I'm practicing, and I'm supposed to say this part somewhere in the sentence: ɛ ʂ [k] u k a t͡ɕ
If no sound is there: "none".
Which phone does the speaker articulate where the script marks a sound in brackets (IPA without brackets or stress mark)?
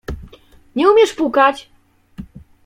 p